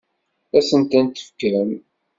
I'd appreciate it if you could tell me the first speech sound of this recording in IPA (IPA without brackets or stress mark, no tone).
æ